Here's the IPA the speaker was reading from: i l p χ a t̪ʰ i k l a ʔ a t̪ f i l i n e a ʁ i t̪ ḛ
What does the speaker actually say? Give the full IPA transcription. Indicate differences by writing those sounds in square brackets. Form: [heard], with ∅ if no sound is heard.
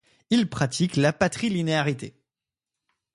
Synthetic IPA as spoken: i l p χ a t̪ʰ i k l a [p] a t̪ [χ] i l i n e a ʁ i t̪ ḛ

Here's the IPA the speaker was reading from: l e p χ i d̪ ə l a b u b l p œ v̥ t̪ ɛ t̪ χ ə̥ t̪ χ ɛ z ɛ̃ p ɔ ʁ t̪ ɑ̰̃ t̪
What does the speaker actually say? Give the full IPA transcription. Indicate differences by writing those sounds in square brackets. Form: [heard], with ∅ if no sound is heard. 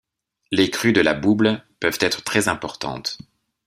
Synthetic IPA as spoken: l e [k] χ [y] d̪ ə l a b u b l p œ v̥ t̪ ɛ t̪ χ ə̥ t̪ χ ɛ z ɛ̃ p ɔ ʁ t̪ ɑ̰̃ t̪

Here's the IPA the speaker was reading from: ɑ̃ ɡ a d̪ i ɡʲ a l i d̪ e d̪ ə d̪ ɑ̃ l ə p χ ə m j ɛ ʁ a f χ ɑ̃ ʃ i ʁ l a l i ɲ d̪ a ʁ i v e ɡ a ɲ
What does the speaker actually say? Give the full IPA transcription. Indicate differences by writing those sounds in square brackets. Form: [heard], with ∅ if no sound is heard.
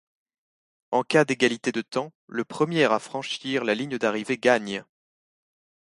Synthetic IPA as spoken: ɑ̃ [k] a d̪ [e] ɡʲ a l i [t̪] e d̪ ə [t̪] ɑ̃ l ə p χ ə m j ɛ ʁ a f χ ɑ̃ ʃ i ʁ l a l i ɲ d̪ a ʁ i v e ɡ a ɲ

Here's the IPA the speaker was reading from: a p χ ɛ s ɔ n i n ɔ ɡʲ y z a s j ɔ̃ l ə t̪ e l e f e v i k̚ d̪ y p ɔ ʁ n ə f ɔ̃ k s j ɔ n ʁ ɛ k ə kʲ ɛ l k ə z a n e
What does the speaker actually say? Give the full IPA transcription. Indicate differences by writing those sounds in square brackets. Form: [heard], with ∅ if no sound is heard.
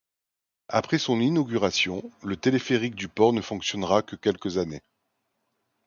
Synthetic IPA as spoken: a p χ ɛ s [ɔ̃] n i n ɔ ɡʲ y [ʁ] a s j ɔ̃ l ə t̪ e l e f e [ʁ] i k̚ d̪ y p ɔ ʁ n ə f ɔ̃ k s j ɔ n ʁ [a] k ə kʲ ɛ l k ə z a n e

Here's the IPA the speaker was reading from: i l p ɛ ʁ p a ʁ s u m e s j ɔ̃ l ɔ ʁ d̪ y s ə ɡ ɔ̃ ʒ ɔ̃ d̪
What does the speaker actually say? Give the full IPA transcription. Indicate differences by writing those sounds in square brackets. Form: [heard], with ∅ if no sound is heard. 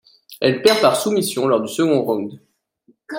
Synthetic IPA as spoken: [ɛ] l p ɛ ʁ p a ʁ s u m [i] s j ɔ̃ l ɔ ʁ d̪ y s ə ɡ ɔ̃ [ʁ] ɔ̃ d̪

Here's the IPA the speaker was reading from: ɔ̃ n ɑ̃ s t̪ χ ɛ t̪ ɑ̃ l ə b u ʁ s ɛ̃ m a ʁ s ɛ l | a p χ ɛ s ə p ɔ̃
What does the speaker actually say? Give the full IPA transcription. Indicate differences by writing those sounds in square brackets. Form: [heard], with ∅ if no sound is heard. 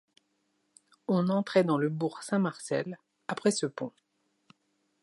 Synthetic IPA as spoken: ɔ̃ n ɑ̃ [∅] t̪ χ ɛ [d̪] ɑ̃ l ə b u ʁ s ɛ̃ m a ʁ s ɛ l | a p χ ɛ s ə p ɔ̃

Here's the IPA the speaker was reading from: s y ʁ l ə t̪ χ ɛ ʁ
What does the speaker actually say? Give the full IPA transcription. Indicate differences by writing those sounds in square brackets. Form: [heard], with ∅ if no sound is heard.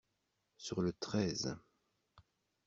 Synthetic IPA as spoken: s y ʁ l ə t̪ χ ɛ [z]

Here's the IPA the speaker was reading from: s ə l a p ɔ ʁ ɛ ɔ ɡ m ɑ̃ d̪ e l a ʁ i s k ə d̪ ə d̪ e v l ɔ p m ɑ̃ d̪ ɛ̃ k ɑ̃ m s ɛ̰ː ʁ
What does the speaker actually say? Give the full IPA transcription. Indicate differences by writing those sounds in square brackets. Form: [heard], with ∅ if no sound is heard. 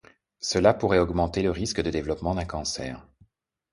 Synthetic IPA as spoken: s ə l a p [u] ʁ ɛ ɔ ɡ m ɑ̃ [t̪] e l [ə] ʁ i s k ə d̪ ə d̪ e v l ɔ p m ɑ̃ d̪ ɛ̃ k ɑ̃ [∅] s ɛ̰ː ʁ

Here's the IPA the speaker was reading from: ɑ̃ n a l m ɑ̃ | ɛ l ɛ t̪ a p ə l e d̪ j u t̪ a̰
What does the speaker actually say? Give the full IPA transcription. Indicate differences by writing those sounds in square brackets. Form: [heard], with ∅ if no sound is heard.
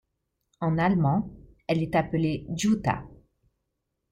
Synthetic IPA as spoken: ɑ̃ n a l m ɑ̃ | ɛ l ɛ t̪ a p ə l e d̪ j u t̪ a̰

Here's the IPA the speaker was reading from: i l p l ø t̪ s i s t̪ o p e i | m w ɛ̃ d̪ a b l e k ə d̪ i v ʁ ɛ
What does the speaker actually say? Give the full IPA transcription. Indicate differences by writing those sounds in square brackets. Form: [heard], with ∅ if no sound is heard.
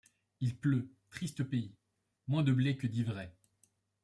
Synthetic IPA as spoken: i l p l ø t̪ [χ] i s t̪ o p e i | m w ɛ̃ d̪ [ə] b l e k ə d̪ i v ʁ ɛ

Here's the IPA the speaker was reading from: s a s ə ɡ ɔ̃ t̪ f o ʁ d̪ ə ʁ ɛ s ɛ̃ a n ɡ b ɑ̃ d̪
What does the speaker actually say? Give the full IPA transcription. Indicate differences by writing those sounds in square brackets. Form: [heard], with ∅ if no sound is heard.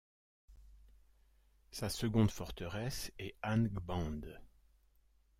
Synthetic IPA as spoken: s a s ə ɡ ɔ̃ [d̪] f [ɔ] ʁ [t̪] ə ʁ ɛ s [ɛ] a n ɡ b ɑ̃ d̪

